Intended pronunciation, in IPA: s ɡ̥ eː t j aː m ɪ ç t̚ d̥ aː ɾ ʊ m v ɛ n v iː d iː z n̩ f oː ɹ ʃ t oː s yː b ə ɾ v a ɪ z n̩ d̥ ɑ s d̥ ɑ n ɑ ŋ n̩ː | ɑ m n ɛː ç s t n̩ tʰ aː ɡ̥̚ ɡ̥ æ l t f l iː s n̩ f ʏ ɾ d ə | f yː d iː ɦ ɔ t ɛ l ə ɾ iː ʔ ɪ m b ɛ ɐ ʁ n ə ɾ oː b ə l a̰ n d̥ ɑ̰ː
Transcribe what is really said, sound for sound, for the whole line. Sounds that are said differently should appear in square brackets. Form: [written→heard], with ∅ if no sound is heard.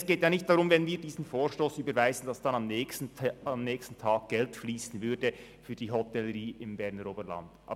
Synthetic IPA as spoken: s ɡ̥ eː t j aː [m→n] ɪ ç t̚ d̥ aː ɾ ʊ m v ɛ n v iː d iː z n̩ f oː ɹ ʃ t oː s yː b ə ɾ v a ɪ z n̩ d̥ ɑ s d̥ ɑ n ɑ [ŋ→m] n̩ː | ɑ m n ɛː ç s t n̩ tʰ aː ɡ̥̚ ɡ̥ [æ→ɛ] l t f l iː s n̩ [f→v] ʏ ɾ d ə | f yː d iː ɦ ɔ t ɛ l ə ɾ iː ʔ ɪ m b ɛ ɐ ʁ n ə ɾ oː b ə l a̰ n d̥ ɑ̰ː

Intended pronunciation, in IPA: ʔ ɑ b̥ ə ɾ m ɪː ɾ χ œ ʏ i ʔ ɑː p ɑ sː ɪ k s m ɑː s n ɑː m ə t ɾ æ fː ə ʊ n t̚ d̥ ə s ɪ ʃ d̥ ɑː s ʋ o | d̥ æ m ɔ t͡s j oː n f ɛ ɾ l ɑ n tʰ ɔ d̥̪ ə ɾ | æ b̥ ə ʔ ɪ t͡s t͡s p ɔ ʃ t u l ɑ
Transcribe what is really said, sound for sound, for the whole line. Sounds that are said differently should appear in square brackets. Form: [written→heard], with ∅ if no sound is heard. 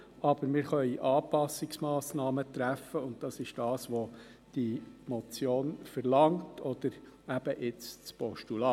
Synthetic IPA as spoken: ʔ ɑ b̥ ə ɾ m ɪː ɾ χ œ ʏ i ʔ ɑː p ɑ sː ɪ k s m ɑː s n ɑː m ə t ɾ æ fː ə ʊ n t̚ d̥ [ə→ɑ] s ɪ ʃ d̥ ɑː s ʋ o | d̥ [æ→i] m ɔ t͡s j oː n f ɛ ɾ l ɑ [n→ŋ] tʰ ɔ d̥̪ ə ɾ | æ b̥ ə ʔ ɪ t͡s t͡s p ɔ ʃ t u l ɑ

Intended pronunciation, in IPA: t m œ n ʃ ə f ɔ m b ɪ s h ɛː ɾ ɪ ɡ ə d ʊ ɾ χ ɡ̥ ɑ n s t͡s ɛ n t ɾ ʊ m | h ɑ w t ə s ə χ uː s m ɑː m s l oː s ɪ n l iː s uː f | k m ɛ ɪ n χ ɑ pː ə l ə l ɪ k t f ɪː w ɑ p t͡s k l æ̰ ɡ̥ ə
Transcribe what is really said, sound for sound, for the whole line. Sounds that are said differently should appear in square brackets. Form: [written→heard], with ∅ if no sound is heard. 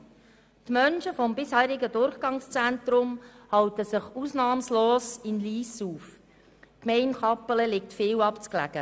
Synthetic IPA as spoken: t m œ n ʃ ə f ɔ m b ɪ s h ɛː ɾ ɪ ɡ ə d ʊ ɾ χ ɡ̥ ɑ [n→ŋ] s t͡s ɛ n t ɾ ʊ m | h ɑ w t ə s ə χ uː s [m→n] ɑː m s l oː s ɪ n l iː s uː f | k m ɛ ɪ n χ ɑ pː ə l ə l ɪ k t f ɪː w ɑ p t͡s k l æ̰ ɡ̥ ə

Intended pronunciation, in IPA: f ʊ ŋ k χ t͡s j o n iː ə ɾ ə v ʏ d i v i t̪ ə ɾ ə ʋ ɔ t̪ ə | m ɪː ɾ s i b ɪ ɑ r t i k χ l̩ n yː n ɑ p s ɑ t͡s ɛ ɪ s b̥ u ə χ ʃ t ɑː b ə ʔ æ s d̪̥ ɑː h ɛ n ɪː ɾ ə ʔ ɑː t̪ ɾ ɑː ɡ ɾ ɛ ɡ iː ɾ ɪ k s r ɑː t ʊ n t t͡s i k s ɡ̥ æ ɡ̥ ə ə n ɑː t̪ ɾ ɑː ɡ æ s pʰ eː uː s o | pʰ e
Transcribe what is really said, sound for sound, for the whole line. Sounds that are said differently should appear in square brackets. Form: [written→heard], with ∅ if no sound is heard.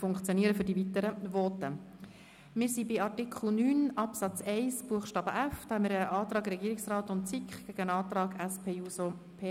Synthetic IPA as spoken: f ʊ ŋ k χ t͡s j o n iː ə ɾ ə [v→f] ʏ d i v i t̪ ə ɾ ə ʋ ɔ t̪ ə | m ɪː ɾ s i b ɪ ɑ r t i k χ l̩ n yː n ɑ p s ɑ t͡s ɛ ɪ s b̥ u ə χ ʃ t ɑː b ə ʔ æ [s→f] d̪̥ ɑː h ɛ [n→m] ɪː ɾ ə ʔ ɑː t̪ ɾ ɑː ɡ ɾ ɛ ɡ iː ɾ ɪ k s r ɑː t ʊ n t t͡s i k [s→χ] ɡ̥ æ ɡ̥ ə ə n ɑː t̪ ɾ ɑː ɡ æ s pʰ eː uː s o | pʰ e

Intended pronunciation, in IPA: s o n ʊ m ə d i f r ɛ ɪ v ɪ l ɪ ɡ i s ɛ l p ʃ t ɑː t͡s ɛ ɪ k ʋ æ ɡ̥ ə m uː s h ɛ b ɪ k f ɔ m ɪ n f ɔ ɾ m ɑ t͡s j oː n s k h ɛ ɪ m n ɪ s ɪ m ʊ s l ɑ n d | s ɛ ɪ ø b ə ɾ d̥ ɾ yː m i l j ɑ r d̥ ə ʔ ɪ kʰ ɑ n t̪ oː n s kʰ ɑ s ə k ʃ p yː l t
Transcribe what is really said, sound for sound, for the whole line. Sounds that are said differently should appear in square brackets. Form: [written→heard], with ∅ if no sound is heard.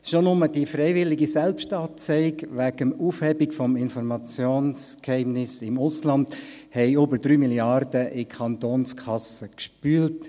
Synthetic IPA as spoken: [s→ʃ] o n ʊ m ə d i f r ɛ ɪ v ɪ l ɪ ɡ i s ɛ l p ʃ t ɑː t͡s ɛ ɪ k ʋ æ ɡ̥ ə m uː [s→f] h ɛ b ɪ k f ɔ m ɪ n f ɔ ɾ m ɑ t͡s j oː n s k h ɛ ɪ m n ɪ s ɪ m ʊ s l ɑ n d | [s→h] ɛ ɪ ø b ə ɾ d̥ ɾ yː m i l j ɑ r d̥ ə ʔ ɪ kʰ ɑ n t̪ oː n s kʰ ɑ s ə k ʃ p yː l t

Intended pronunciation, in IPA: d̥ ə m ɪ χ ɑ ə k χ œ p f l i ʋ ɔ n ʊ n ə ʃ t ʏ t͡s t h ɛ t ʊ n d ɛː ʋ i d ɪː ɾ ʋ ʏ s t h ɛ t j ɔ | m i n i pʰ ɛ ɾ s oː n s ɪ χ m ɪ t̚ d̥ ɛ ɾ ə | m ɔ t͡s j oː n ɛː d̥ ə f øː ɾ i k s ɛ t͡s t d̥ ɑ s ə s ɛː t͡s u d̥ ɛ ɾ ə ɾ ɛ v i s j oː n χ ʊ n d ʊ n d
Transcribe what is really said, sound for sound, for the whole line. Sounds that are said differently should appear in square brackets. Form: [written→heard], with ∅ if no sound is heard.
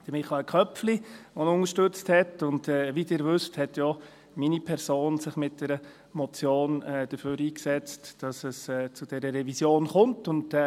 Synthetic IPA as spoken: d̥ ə m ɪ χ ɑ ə k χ œ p f l i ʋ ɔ n ʊ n ə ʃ t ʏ t͡s t h ɛ t ʊ n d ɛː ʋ i d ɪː ɾ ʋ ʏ s t h ɛ t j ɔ | m i n i pʰ ɛ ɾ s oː n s ɪ χ m ɪ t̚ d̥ ɛ ɾ ə | m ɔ t͡s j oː n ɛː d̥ ə f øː ɾ [i→iː] k s ɛ t͡s t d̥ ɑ s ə s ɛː t͡s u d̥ ɛ ɾ ə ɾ ɛ v i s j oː n χ ʊ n [d→t] ʊ n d

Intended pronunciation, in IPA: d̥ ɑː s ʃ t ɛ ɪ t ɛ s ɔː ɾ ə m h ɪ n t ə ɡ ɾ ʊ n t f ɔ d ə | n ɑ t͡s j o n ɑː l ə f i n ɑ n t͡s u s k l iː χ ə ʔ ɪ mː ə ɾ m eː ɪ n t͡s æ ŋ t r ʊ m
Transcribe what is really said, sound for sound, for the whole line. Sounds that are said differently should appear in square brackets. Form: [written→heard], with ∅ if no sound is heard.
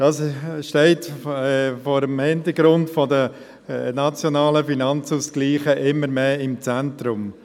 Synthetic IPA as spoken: d̥ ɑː s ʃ t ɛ ɪ t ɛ [s→f] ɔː ɾ ə m h ɪ n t ə ɡ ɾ ʊ n t f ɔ d ə | n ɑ t͡s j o n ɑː l ə f i n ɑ n t͡s u s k l iː χ ə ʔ ɪ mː ə ɾ m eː ɪ [n→m] t͡s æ [ŋ→n] t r ʊ m

